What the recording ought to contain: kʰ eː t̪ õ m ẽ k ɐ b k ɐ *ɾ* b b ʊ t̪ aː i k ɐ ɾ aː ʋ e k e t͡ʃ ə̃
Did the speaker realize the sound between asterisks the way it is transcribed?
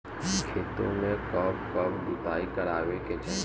no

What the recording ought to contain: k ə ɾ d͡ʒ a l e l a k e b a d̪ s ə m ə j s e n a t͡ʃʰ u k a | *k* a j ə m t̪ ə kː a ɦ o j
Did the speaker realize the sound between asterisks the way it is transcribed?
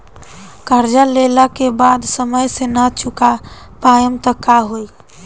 no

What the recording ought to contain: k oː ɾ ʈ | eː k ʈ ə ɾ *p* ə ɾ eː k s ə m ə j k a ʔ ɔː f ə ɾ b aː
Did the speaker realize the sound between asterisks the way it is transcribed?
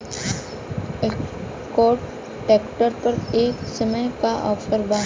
yes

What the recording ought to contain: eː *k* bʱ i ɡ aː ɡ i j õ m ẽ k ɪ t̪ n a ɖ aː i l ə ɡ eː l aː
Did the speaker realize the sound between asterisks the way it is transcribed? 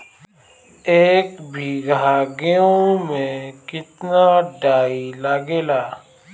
yes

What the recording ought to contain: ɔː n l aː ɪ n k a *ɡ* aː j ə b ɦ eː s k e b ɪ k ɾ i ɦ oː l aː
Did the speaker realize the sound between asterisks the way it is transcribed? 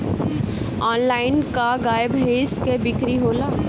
yes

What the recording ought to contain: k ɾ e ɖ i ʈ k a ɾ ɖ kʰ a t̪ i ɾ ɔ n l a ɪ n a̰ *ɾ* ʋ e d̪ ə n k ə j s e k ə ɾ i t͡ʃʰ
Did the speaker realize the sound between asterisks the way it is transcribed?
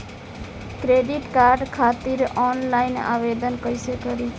no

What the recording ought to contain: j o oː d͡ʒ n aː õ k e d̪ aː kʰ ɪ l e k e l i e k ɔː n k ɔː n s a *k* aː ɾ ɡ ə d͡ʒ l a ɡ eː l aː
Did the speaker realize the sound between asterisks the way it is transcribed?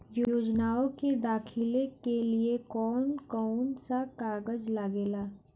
yes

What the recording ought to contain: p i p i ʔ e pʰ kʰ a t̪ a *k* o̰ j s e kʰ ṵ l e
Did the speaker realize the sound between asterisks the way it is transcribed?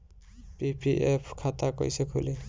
yes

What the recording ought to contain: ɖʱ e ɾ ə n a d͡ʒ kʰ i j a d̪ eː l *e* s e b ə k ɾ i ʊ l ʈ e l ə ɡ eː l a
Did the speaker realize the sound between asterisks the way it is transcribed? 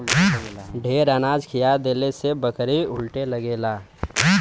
yes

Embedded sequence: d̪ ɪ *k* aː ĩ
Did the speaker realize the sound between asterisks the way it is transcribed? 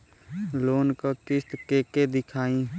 no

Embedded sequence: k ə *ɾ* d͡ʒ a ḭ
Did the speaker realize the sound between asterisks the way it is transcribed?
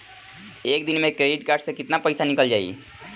no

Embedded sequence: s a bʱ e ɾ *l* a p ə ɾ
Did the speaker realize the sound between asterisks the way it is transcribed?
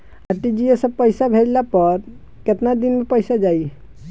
yes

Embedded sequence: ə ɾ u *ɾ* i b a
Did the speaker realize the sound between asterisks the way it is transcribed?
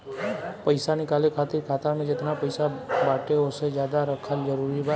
yes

